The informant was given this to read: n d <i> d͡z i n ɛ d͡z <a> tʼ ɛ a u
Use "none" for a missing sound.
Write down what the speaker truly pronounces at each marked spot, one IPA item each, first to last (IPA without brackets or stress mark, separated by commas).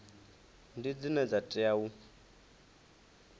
i, a